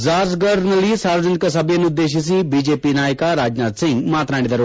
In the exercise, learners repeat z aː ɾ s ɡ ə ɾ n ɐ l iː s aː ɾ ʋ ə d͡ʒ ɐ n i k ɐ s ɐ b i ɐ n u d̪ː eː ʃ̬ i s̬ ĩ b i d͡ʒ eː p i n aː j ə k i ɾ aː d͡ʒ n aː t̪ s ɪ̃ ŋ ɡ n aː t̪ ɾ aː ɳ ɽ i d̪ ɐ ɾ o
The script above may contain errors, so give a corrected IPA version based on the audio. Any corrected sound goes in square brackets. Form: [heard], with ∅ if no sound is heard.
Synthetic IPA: z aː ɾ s ɡ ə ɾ n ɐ l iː s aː ɾ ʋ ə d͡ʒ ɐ n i k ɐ s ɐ b [j] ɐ n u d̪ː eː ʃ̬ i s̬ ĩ b i d͡ʒ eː p i n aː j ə k [a] ɾ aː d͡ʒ n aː t̪ s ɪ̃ ŋ ɡ [m] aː t̪ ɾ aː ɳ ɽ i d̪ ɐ ɾ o